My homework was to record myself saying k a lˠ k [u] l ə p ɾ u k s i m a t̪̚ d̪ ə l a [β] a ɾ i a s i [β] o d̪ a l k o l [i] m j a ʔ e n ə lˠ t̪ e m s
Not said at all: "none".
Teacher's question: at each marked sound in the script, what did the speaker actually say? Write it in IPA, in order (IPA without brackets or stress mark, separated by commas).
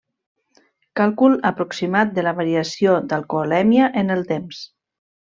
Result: u, β, none, ɛ